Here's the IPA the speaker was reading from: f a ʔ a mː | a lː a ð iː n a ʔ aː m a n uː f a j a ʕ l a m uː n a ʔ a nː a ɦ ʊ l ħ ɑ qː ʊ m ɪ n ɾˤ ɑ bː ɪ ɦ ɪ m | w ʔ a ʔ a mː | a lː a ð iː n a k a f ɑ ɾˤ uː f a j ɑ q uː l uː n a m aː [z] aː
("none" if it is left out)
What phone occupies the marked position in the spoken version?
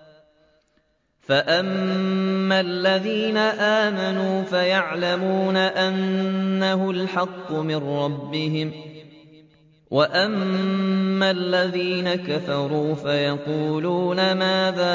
ð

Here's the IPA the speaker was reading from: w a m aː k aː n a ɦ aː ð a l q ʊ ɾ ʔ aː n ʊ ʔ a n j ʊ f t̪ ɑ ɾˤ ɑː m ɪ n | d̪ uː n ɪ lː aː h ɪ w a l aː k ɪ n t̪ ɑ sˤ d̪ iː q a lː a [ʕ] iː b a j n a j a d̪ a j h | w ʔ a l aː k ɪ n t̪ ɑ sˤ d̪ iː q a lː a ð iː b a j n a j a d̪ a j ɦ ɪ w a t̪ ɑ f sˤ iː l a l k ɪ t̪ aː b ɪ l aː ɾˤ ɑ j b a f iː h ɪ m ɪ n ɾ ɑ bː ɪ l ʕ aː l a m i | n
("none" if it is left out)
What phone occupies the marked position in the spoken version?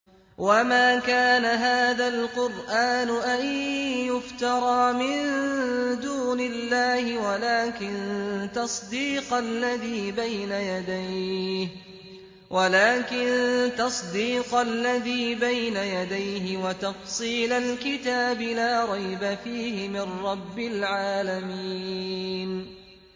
ð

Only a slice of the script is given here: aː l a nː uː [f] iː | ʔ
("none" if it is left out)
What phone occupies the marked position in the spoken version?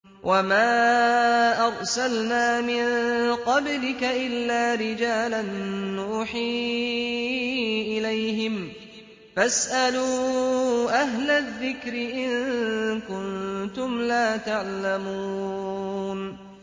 ħ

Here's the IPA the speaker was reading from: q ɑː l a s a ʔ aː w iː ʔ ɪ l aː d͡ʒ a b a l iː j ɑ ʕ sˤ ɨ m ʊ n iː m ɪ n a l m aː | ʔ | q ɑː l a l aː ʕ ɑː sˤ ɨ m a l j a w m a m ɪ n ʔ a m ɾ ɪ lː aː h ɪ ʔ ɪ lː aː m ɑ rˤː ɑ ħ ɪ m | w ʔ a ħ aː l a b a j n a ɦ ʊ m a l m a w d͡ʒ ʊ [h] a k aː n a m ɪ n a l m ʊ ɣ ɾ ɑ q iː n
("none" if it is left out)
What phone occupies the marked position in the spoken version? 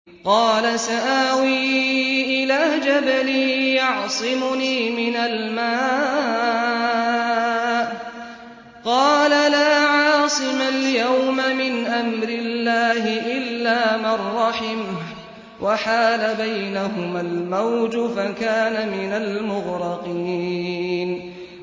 f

